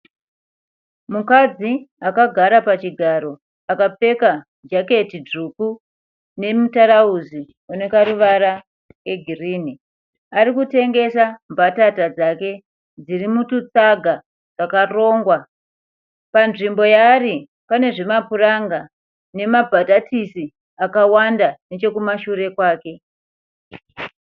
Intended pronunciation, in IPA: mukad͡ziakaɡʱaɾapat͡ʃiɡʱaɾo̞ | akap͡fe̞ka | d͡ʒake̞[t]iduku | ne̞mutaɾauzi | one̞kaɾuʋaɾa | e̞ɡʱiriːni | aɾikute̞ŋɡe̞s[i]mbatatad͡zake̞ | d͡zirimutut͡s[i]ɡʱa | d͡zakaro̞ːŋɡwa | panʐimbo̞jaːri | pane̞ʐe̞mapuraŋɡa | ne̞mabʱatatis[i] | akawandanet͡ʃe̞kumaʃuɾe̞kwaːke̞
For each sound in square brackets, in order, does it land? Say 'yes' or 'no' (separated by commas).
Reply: yes, no, no, yes